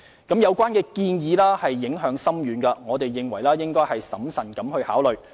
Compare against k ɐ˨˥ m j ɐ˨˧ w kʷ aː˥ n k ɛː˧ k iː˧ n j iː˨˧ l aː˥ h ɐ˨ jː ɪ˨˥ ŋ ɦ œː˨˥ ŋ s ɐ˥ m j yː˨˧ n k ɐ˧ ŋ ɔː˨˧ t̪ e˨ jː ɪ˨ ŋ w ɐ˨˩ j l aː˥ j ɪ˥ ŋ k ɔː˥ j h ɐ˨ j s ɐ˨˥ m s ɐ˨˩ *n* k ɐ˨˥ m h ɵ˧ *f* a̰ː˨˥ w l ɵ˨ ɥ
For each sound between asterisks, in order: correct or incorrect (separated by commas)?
correct, incorrect